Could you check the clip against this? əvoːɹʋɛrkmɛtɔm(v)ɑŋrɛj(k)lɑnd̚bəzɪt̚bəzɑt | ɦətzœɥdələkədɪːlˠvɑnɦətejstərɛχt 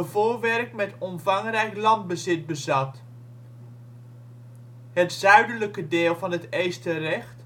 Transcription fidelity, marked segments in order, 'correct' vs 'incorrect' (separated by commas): correct, correct